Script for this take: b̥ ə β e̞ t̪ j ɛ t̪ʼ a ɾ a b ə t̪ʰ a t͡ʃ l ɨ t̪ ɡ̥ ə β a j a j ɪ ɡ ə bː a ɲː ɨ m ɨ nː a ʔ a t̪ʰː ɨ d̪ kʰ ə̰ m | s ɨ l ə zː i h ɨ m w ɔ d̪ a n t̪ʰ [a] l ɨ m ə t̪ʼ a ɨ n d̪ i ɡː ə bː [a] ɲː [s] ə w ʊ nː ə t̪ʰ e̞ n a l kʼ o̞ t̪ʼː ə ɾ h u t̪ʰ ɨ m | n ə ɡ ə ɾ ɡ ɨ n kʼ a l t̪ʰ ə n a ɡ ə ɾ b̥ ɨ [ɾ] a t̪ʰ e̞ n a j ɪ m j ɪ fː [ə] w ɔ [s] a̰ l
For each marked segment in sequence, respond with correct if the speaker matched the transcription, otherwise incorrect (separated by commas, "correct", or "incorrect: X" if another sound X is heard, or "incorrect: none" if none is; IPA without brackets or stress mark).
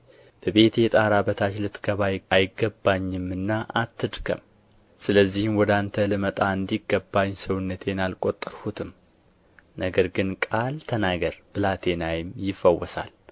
incorrect: ə, correct, correct, incorrect: l, correct, correct